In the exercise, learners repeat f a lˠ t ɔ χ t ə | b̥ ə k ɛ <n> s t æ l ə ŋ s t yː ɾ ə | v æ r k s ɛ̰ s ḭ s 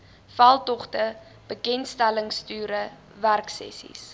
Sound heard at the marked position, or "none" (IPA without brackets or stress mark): n